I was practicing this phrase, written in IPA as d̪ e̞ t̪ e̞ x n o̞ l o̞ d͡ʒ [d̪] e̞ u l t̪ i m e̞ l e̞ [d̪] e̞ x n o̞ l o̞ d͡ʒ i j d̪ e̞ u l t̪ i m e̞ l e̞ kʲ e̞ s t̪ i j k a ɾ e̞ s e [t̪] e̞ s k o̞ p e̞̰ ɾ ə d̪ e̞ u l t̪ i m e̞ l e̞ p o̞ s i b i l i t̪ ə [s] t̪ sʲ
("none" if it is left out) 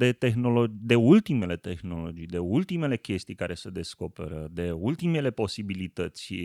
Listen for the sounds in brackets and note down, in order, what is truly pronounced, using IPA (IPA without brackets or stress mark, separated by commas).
d̪, t̪, d̪, none